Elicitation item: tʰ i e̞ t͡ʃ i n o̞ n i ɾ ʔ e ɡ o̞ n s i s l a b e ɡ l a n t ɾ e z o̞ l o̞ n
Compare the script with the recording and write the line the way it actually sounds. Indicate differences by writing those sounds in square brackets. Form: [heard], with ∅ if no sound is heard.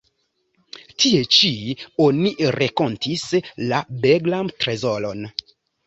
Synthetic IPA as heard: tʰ i e̞ t͡ʃ i [∅] o̞ n i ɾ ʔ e [k] o̞ n [t] i s l a b e ɡ l a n t ɾ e z o̞ l o̞ n